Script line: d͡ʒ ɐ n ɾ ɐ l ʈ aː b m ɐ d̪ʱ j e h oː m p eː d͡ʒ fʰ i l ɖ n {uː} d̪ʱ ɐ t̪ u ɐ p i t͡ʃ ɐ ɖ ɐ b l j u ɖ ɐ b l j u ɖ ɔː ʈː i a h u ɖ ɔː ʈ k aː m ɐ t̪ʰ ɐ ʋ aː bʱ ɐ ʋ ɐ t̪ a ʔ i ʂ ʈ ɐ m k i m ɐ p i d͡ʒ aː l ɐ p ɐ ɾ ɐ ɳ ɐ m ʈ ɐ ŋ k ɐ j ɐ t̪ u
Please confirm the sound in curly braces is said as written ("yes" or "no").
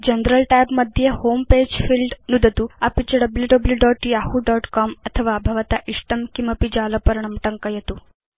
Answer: no